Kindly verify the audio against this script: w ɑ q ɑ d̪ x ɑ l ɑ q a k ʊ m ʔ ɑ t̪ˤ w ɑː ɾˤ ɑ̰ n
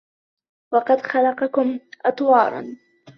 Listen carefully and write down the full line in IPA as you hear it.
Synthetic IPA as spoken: w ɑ q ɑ d̪ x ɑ l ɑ q ɑ k ʊ m ʔ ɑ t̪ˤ w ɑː ɾˤ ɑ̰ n